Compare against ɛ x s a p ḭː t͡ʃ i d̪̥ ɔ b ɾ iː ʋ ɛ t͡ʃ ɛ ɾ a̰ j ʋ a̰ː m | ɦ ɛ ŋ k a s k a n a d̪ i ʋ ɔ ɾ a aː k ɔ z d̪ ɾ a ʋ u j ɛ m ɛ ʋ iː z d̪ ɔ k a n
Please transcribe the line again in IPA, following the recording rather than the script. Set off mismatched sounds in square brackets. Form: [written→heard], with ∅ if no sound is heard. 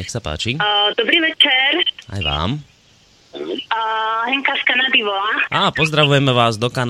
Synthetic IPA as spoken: ɛ x s a p [ḭː→a̰ː] t͡ʃ i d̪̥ ɔ b ɾ iː ʋ ɛ t͡ʃ ɛ ɾ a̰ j ʋ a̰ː m | ɦ ɛ ŋ k a s k a n a d̪ i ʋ ɔ [ɾ→l] a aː [k→p] ɔ z d̪ ɾ a ʋ u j ɛ m ɛ ʋ [iː→aː] z d̪ ɔ k a n